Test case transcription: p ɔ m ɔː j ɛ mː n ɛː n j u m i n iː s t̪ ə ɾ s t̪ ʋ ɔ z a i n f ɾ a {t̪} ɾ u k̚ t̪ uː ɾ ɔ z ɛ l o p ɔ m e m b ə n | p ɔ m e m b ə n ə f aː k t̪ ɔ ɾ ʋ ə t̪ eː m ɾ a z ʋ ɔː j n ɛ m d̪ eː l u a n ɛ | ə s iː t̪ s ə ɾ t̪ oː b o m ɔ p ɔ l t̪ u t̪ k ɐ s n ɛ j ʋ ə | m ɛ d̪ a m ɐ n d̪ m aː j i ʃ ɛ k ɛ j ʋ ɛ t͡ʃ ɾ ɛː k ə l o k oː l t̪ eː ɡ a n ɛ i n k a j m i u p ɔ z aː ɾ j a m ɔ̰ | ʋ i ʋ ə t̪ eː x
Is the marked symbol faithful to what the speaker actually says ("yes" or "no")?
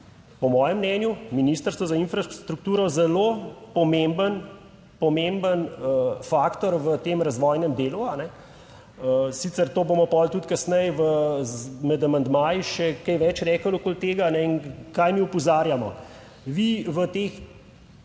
yes